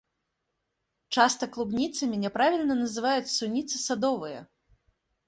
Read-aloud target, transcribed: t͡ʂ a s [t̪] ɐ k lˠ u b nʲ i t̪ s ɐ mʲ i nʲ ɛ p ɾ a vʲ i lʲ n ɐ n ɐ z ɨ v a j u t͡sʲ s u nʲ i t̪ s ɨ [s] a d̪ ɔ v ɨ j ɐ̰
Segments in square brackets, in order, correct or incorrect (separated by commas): correct, correct